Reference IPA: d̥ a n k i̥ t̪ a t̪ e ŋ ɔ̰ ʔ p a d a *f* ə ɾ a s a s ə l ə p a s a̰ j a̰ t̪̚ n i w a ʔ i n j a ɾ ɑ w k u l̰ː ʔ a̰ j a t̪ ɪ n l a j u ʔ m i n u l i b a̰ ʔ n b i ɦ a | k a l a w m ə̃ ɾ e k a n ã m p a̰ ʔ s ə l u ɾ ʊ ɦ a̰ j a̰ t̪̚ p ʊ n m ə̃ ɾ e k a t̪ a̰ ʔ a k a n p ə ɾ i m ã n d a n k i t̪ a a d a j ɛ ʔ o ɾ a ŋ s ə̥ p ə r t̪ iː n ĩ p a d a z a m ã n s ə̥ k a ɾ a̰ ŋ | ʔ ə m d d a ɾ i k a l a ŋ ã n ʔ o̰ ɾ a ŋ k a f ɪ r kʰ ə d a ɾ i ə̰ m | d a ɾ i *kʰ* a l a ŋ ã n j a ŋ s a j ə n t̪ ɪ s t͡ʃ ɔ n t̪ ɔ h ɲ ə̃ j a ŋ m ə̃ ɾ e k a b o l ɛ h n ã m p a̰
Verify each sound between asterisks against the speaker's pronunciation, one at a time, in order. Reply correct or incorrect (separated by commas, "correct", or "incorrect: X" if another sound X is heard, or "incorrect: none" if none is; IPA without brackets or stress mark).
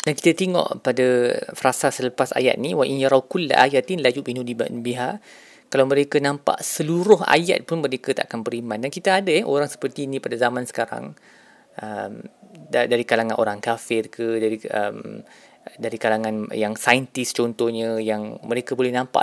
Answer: correct, incorrect: k